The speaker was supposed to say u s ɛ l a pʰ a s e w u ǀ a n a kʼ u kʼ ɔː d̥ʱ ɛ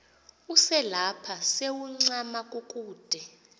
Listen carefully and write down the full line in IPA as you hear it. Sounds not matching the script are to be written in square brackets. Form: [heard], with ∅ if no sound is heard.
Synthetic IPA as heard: u s ɛ l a pʰ a s e w u [ŋ͡ǀ] a [m] a kʼ u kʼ [uː] d̥ʱ ɛ